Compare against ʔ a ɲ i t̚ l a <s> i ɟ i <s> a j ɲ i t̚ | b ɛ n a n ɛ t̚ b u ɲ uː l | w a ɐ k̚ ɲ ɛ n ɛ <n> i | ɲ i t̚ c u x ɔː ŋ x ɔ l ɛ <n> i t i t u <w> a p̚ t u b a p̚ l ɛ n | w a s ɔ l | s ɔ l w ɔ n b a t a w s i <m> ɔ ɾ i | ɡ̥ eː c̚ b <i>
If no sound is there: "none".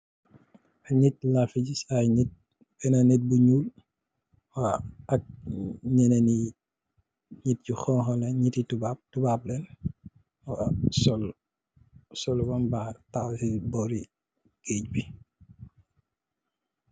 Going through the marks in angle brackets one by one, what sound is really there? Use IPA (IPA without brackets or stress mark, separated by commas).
f, s, n, ɲ, b, b, i